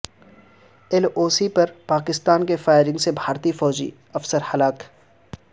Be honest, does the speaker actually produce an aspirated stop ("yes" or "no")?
no